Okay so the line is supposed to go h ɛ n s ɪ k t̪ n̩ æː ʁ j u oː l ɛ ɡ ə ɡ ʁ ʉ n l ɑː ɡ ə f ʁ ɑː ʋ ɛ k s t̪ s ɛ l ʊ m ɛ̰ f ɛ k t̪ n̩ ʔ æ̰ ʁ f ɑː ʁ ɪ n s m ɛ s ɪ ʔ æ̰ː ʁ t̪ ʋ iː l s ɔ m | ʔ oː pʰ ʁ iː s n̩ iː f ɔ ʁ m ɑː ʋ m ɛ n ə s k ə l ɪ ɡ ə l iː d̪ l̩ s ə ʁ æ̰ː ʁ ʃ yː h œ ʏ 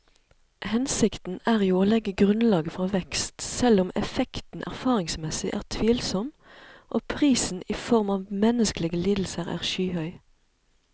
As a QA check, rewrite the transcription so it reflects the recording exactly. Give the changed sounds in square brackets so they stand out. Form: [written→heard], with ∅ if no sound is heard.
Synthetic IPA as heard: h ɛ n s ɪ k t̪ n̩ æː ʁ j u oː l ɛ ɡ ə ɡ ʁ ʉ n l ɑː ɡ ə f ʁ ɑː ʋ ɛ k s t̪ s ɛ l ʊ m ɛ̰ f ɛ k t̪ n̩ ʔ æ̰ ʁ f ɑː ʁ ɪ [n→ŋ] s m ɛ s ɪ ʔ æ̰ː ʁ [t̪→t̪ʰ] ʋ iː l s ɔ m | ʔ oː pʰ ʁ iː s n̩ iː f ɔ ʁ m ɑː ʋ m ɛ n ə s k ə l ɪ ɡ ə l iː d̪ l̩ s ə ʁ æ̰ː ʁ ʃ yː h œ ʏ